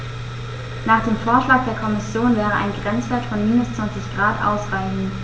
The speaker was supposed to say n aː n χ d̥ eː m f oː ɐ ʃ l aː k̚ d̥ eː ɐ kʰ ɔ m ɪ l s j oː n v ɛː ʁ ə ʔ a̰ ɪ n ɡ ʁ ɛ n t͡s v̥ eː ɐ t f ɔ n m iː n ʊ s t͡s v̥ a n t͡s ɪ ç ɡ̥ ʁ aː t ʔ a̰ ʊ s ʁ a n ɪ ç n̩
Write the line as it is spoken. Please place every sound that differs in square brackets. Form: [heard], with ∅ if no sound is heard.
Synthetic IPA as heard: n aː [∅] χ d̥ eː m f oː ɐ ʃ l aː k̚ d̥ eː ɐ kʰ ɔ m ɪ [∅] s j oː n v ɛː ʁ ə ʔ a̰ ɪ n ɡ ʁ ɛ n t͡s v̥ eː ɐ t f ɔ n m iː n ʊ s t͡s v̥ a n t͡s ɪ ç ɡ̥ ʁ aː t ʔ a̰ ʊ s ʁ a [∅] ɪ ç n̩